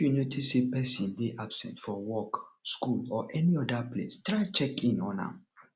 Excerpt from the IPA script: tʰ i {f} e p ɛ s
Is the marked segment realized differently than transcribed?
yes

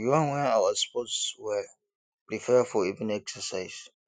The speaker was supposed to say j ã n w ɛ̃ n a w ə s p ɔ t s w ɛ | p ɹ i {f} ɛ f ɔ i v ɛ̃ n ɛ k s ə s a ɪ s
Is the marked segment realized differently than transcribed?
no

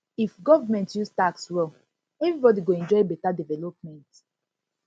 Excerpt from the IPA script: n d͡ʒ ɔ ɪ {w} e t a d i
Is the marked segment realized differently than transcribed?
yes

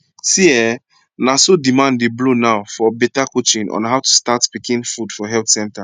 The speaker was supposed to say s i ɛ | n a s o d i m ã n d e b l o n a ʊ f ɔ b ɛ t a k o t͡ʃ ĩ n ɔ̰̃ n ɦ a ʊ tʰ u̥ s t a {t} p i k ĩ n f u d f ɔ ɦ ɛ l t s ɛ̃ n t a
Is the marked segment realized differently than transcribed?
no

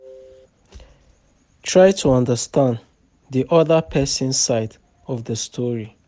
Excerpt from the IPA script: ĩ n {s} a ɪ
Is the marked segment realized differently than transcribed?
no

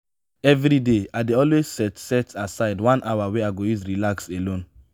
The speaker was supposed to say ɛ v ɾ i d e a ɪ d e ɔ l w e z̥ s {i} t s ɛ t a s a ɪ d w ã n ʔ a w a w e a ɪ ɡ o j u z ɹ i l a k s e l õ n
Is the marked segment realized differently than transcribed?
yes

